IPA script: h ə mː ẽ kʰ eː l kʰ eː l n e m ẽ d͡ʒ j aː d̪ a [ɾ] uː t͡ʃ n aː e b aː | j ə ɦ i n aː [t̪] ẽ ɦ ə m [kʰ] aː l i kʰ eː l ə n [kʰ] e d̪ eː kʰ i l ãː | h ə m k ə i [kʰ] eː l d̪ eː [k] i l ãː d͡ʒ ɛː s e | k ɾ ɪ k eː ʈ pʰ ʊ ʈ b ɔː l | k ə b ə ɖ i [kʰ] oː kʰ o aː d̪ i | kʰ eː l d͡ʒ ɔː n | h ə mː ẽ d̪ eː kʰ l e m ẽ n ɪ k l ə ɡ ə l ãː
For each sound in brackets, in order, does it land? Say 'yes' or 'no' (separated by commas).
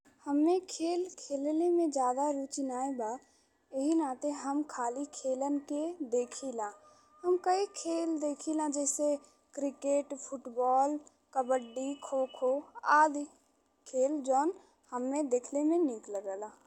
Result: yes, yes, yes, no, yes, no, yes